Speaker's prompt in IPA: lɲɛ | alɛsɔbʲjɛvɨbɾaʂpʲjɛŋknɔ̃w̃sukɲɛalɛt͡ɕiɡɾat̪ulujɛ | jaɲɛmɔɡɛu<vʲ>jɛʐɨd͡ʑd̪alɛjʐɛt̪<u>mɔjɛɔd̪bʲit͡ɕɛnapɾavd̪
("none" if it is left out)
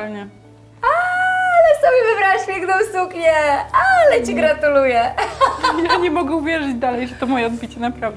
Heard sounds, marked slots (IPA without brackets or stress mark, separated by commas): vʲ, ɔ